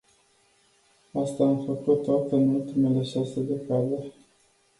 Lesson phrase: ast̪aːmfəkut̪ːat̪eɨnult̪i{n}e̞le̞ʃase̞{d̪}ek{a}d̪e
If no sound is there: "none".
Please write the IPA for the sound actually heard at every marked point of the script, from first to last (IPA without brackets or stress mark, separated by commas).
m, d̪, a